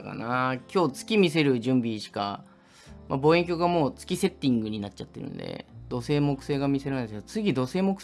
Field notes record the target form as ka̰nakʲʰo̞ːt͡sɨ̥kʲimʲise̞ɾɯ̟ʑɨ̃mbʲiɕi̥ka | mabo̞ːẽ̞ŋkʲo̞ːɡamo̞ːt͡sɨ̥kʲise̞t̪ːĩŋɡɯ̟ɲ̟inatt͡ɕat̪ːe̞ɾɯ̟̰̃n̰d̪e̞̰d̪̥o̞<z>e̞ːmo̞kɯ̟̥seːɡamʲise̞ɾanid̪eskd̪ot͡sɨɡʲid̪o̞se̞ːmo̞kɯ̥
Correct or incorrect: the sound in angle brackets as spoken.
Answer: incorrect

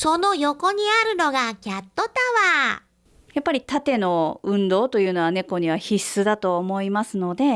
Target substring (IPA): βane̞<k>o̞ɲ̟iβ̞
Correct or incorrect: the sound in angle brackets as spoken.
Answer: correct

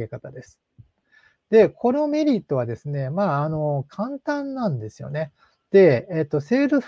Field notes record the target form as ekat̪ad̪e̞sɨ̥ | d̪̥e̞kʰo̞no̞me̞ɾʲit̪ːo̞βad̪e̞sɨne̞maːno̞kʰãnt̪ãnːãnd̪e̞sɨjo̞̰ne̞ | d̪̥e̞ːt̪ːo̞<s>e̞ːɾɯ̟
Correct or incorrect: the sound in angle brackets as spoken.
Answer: correct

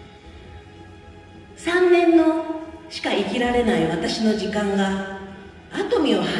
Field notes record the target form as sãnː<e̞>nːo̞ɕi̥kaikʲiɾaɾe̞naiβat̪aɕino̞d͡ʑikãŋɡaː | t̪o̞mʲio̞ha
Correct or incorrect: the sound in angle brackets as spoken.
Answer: incorrect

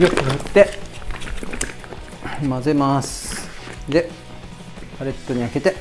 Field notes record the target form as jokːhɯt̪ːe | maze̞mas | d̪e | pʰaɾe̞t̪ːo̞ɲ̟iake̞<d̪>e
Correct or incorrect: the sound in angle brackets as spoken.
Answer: incorrect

